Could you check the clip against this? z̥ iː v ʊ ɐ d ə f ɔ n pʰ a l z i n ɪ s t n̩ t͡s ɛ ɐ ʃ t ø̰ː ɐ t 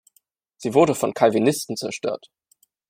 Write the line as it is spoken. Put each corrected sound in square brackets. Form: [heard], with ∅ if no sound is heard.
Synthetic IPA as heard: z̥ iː v ʊ ɐ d ə f ɔ n [kʰ] a l [v] i n ɪ s t n̩ t͡s ɛ ɐ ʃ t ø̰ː ɐ t